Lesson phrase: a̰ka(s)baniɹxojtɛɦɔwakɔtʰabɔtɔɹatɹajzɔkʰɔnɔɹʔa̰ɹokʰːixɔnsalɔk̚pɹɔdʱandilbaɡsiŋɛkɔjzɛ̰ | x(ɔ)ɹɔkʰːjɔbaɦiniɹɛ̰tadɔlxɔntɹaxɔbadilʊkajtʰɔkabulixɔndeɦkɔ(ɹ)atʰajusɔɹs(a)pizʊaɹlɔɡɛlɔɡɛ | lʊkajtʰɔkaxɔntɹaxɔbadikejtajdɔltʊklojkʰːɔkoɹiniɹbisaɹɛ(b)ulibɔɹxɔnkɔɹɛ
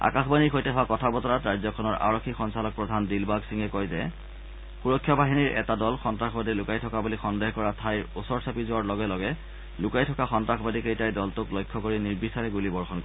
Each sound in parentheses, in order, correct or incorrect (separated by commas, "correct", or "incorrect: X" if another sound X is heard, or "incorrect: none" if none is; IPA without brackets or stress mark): incorrect: x, incorrect: u, correct, correct, incorrect: ɡ